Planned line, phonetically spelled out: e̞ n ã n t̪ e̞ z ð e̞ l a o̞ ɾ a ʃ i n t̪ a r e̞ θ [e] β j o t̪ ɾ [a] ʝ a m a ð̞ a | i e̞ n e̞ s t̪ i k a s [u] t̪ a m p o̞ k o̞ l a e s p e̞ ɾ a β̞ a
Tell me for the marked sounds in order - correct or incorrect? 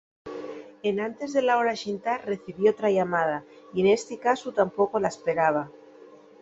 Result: incorrect, correct, correct

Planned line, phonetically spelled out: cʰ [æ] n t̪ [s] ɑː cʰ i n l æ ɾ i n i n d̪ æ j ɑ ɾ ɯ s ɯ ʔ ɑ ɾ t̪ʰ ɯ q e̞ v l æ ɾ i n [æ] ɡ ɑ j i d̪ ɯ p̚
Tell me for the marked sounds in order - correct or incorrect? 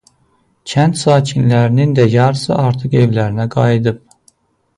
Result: correct, correct, correct

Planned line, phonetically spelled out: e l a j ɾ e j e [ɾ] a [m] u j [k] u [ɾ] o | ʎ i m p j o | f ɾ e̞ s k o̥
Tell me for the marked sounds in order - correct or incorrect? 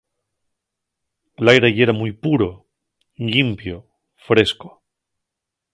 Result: correct, correct, incorrect, correct

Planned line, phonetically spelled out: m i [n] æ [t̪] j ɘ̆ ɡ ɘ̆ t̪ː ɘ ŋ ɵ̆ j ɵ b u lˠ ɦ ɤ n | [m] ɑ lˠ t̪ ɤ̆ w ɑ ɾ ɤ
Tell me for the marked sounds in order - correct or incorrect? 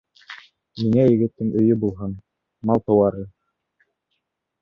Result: incorrect, incorrect, correct

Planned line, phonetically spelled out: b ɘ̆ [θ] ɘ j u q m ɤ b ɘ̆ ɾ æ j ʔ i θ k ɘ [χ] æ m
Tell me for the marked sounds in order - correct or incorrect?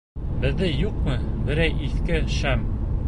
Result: incorrect, incorrect

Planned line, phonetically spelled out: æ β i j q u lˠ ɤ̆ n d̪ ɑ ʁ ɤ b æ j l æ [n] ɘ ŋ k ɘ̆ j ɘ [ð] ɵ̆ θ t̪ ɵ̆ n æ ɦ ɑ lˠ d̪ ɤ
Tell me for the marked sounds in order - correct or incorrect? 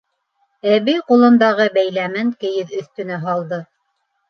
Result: incorrect, correct

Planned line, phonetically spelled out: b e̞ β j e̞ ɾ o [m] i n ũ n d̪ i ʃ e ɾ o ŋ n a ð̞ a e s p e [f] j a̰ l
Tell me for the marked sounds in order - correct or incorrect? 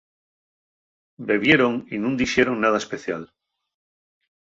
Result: incorrect, incorrect

